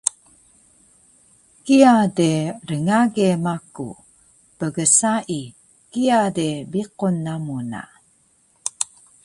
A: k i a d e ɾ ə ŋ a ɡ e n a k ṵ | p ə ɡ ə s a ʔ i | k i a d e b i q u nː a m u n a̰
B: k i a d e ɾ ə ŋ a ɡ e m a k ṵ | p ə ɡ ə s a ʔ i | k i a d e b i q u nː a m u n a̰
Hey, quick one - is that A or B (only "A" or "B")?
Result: B